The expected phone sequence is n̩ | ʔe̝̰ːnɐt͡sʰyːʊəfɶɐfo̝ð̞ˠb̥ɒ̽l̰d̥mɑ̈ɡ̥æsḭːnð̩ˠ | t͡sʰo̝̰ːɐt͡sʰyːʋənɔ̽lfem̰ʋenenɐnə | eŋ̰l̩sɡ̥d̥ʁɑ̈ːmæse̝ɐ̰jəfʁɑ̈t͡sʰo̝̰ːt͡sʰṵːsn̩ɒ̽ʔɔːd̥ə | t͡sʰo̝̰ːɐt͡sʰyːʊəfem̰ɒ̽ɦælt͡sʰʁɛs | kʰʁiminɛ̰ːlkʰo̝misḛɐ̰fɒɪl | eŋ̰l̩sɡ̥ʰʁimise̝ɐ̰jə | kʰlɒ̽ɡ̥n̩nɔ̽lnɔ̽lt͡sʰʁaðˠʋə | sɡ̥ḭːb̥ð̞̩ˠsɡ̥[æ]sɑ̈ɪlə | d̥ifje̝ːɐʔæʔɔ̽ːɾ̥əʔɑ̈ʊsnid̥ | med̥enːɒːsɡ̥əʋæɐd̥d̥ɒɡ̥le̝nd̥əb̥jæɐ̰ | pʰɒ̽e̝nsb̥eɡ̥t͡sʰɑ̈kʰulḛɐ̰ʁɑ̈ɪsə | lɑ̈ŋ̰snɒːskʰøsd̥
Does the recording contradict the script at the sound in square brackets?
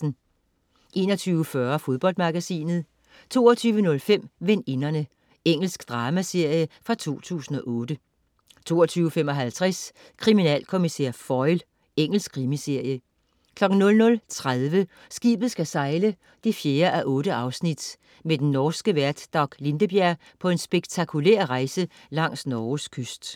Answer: no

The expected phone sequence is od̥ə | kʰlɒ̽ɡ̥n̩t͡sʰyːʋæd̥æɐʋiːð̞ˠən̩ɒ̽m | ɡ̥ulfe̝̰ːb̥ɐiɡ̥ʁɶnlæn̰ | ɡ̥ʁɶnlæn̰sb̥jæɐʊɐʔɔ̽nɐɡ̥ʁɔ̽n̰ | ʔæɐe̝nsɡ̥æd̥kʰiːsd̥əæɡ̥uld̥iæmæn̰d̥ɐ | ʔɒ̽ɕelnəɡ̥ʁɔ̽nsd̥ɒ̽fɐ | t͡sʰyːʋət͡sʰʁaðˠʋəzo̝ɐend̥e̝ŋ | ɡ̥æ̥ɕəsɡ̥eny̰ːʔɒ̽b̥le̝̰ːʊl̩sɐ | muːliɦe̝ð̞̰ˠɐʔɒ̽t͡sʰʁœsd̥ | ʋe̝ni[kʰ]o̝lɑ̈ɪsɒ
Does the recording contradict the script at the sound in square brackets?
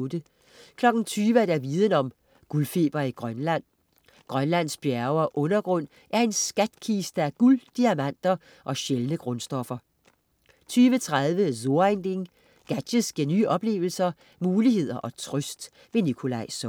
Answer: no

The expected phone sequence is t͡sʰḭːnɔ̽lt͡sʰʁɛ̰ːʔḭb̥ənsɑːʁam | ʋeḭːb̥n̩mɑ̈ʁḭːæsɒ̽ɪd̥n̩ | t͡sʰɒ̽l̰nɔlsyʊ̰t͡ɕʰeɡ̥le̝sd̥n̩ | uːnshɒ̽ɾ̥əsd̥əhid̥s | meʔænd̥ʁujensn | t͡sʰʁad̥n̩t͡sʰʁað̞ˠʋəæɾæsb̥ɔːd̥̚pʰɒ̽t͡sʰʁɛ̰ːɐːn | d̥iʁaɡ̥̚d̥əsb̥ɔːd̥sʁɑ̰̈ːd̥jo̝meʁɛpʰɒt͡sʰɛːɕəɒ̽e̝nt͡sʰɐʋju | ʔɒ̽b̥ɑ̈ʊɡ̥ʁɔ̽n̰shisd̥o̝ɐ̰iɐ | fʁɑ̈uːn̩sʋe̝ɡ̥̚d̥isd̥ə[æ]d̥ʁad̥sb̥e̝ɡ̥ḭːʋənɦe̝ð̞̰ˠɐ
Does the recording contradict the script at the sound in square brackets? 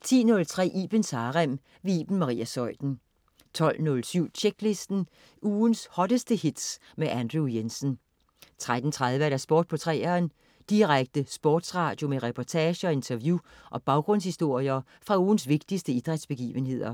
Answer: yes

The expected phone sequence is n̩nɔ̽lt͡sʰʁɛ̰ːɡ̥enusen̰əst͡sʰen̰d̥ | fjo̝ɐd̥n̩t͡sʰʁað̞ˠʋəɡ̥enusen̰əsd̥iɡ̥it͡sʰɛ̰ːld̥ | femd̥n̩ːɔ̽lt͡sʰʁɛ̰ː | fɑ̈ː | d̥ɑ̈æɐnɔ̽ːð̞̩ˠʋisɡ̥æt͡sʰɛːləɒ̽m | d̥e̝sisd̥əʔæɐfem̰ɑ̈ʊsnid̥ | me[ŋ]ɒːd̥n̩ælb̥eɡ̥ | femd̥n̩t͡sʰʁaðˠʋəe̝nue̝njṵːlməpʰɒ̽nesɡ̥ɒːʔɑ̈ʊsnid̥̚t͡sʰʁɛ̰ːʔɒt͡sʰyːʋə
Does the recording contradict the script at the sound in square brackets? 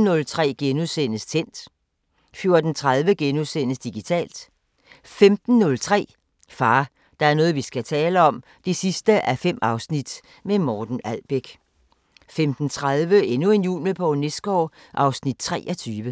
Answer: yes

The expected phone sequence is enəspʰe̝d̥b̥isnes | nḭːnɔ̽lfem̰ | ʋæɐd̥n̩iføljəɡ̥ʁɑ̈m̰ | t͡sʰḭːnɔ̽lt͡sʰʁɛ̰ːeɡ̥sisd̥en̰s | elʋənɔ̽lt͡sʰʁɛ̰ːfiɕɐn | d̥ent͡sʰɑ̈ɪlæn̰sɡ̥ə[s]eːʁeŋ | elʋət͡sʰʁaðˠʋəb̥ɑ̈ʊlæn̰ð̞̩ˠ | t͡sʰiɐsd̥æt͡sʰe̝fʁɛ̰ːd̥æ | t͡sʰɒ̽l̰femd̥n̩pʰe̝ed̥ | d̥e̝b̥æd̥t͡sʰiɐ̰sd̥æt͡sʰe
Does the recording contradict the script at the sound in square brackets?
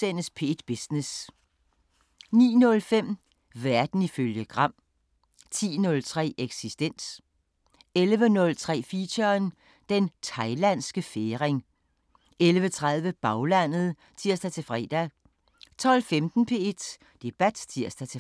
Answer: yes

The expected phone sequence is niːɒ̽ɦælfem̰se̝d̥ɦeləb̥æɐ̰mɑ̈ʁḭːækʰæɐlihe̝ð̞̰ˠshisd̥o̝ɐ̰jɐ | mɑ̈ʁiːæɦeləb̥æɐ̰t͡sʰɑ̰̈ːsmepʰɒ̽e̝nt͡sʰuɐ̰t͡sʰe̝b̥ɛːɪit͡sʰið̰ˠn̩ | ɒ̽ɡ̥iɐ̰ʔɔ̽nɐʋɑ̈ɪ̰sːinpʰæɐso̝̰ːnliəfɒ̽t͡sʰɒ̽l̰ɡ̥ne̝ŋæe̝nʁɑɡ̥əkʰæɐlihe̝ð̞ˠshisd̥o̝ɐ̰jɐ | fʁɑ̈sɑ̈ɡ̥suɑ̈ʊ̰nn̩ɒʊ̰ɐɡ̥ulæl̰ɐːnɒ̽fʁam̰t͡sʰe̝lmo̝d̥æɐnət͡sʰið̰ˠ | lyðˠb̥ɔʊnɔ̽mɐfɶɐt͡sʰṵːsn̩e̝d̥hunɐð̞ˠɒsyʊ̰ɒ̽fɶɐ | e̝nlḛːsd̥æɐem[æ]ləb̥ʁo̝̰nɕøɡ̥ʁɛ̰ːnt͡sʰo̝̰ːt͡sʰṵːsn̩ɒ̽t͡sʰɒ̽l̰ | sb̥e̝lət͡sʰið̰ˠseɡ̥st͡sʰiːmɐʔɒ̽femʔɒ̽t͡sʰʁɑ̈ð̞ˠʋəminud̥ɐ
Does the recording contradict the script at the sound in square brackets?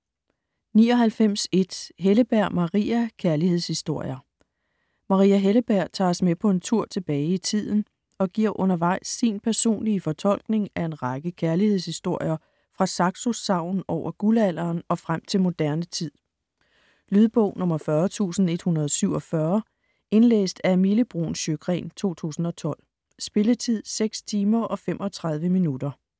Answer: yes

